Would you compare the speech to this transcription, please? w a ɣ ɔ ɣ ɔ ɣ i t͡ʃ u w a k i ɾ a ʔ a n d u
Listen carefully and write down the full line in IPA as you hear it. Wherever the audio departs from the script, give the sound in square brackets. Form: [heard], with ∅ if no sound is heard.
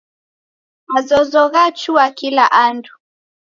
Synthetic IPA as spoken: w a [z] ɔ [z] ɔ ɣ [a] t͡ʃ u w a k i [l] a ʔ a n d u